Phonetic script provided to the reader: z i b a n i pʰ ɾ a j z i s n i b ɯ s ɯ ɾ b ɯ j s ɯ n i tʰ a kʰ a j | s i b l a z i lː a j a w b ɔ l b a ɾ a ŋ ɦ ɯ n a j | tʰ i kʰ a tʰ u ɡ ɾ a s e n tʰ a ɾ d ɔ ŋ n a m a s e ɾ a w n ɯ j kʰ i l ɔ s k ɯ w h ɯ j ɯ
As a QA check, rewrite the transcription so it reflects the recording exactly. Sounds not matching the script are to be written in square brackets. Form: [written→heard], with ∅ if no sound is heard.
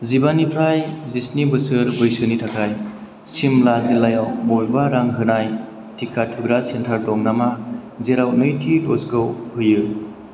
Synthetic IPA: z i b a n i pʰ ɾ a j z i s n i b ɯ s ɯ ɾ b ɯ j s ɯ n i tʰ a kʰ a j | s i [b→m] l a z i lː a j a w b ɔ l b a ɾ a ŋ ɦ ɯ n a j | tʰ i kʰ a tʰ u ɡ ɾ a s e n tʰ a ɾ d ɔ ŋ n a m a [s→z] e ɾ a w n ɯ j [kʰ→tʰ] i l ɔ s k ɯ w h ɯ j ɯ